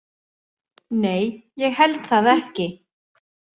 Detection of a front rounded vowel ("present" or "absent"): absent